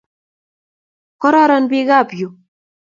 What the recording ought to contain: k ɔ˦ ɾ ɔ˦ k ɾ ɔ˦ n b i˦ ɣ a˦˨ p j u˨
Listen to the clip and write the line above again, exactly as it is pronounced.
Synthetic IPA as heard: k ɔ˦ ɾ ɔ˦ ɾ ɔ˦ n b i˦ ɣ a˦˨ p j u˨